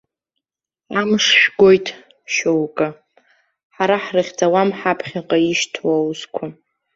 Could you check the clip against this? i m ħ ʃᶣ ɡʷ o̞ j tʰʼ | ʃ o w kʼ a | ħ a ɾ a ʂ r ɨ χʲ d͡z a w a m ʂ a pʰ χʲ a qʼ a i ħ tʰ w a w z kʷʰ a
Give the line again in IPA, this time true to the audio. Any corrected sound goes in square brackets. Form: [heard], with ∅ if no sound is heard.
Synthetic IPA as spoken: [a] m [ʂ] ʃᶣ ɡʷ o̞ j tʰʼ | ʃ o w kʼ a | ħ a ɾ a [ħ] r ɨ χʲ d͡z a w a m [ħ] a pʰ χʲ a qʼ a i [ʃ] tʰ w a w z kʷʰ a

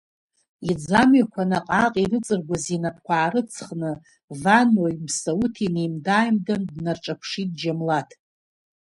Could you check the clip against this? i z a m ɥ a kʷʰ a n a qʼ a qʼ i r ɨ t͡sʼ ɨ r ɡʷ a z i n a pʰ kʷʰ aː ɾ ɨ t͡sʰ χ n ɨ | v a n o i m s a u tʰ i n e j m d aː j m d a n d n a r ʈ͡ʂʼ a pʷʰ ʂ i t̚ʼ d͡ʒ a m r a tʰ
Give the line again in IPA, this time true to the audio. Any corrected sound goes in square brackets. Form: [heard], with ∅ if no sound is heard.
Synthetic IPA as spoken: i [d͡z] a m ɥ a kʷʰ a n a qʼ a qʼ i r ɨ t͡sʼ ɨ r ɡʷ a z i n a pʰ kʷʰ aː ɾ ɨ t͡sʰ χ n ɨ | v a n o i m s a u tʰ i n e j m d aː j m d a n d n a r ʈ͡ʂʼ a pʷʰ ʂ i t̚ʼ d͡ʒ a m [l] a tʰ

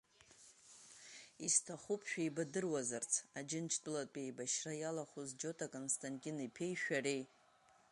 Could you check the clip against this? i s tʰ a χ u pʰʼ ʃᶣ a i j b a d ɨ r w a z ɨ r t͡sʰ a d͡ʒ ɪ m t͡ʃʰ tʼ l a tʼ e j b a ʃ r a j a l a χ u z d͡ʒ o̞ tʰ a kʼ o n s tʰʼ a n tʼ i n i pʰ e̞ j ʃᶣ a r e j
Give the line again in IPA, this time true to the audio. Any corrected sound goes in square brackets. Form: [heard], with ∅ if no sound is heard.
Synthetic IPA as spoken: i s tʰ a χ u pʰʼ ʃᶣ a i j b a d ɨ r w a z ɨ r t͡sʰ a d͡ʒ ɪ [n] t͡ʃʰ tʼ l a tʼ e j b a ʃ r a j a l a χ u z d͡ʒ o̞ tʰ a kʼ o n s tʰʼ a n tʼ i n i pʰ e̞ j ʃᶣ a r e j

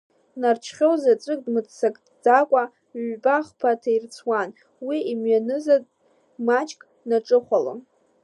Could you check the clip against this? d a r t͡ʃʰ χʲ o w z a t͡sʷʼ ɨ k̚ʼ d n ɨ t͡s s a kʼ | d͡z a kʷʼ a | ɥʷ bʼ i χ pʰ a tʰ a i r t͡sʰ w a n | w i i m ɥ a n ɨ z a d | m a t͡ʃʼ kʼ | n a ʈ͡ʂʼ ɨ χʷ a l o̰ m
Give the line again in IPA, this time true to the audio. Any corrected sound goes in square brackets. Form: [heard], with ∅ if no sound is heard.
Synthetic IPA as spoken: [n] a r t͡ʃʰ χʲ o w z a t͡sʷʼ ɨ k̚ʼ d [m] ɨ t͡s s a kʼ | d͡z a kʷʼ a | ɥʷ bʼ [a] χ pʰ a tʰ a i r t͡sʰ w a n | w i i m ɥ a n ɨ z a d | m a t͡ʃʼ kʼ | n a ʈ͡ʂʼ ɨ χʷ a l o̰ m

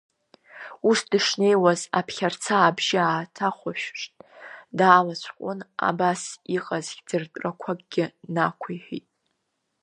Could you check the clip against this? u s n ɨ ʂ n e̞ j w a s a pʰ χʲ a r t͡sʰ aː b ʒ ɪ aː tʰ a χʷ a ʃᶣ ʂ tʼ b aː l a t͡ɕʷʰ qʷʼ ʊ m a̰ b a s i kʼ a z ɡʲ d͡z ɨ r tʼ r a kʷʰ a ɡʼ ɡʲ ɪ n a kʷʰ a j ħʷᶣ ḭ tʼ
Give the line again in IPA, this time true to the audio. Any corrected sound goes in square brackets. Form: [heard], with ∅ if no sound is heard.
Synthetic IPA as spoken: u s [d] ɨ ʂ n e̞ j w a [z] a pʰ χʲ a r t͡sʰ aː b ʒ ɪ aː tʰ a χʷ a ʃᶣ ʂ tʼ [d] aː l a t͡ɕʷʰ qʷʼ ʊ [n] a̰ b a s i [qʼ] a z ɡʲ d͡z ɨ r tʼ r a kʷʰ a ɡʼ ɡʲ ɪ n a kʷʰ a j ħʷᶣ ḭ tʼ

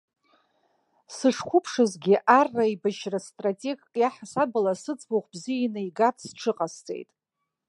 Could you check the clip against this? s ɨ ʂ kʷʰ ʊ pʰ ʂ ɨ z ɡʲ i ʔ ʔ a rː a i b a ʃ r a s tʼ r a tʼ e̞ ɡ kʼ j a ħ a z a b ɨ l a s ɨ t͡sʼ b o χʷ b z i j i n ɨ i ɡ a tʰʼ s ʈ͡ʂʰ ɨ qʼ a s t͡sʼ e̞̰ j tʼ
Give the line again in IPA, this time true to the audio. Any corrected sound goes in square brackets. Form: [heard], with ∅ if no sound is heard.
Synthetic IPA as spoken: s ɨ ʂ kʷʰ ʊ pʰ ʂ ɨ z ɡʲ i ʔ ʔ a rː a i b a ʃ r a s tʼ r a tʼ e̞ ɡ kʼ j a ħ a [s] a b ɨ l a s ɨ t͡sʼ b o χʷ b z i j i n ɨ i ɡ a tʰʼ s ʈ͡ʂʰ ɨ qʼ a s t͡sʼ e̞̰ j tʼ

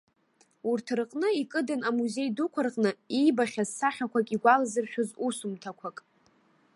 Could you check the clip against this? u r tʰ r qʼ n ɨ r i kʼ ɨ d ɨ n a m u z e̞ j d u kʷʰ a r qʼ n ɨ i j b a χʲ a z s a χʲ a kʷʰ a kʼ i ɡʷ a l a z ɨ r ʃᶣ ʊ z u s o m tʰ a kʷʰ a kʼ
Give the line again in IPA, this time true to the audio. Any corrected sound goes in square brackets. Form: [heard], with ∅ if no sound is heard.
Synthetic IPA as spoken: u r tʰ r qʼ n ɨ [∅] i kʼ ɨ d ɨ n a m u z e̞ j d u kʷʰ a r qʼ n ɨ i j b a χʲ a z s a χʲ a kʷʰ a kʼ i ɡʷ a l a z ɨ r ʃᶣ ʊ z u s [u] m tʰ a kʷʰ a kʼ

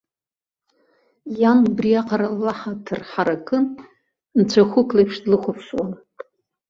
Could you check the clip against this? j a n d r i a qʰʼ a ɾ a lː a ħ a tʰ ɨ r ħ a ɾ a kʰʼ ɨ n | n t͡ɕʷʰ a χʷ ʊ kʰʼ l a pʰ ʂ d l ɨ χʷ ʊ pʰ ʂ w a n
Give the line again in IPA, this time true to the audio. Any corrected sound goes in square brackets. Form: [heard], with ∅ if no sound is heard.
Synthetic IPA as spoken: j a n [b] r i a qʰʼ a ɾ a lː a ħ a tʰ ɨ r ħ a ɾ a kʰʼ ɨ n | n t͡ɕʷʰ a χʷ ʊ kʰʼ l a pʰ ʂ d l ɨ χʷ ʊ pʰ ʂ w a n

